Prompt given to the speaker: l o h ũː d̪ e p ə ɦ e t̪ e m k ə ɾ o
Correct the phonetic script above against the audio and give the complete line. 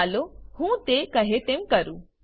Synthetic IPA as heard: l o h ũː t̪ e k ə ɦ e t̪ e m k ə ɾ u

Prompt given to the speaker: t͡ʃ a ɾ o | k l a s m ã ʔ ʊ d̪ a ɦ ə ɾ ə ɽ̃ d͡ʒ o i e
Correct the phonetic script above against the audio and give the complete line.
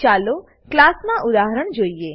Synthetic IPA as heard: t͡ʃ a l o | k l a s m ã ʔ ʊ d̪ a ɦ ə ɾ ə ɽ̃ d͡ʒ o i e

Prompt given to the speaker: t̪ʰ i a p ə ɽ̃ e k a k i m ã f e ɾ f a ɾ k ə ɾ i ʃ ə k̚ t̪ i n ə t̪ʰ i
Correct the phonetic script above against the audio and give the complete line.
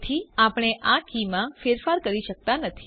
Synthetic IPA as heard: t̪ʰ i a p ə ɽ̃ e ʔ a k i m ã f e ɾ f a ɾ k ə ɾ i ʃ ə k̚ t̪ a n ə t̪ʰ i

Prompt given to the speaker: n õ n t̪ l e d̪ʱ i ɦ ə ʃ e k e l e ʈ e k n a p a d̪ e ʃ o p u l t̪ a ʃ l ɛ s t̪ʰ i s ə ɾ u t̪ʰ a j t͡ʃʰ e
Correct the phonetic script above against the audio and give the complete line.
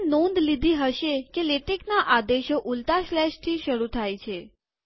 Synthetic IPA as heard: n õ n d̪ l i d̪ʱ i ɦ ə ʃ e k e l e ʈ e k n a ʔ a d̪ e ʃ o ʔ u l t̪ a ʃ l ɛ ʃ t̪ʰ i ʃ ə ɾ u t̪ʰ a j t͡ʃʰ e

